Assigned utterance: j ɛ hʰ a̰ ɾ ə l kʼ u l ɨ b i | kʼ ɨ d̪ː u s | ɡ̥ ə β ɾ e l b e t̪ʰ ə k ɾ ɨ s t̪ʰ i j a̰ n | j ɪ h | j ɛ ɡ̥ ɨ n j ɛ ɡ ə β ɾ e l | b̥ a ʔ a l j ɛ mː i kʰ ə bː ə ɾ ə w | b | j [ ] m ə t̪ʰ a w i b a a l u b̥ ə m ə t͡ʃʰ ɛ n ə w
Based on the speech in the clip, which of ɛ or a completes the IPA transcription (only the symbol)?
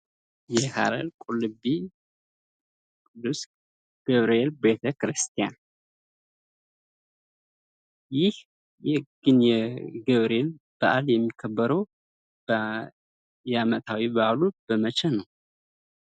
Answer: a